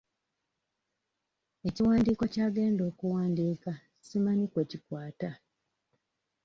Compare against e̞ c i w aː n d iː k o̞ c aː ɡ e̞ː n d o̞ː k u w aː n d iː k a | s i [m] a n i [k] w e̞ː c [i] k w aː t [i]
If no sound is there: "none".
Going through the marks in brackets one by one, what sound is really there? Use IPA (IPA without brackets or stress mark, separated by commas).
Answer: m, k, i, a